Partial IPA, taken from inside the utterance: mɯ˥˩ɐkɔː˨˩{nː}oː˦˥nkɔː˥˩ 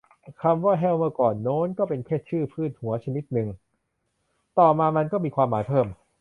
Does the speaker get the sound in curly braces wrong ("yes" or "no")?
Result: no